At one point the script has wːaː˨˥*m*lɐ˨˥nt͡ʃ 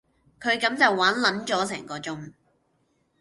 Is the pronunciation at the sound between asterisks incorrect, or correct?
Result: incorrect